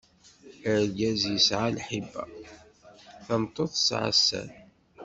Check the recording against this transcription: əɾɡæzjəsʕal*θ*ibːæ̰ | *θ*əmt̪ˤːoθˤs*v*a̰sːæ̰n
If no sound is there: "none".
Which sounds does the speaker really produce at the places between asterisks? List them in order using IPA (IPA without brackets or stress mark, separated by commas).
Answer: ħ, θ, ʕ